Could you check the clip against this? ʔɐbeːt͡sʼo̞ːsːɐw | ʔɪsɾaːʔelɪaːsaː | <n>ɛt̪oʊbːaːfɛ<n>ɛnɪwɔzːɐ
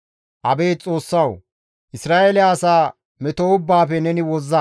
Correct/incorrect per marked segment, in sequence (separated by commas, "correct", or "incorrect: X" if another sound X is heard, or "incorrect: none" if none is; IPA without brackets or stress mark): incorrect: m, correct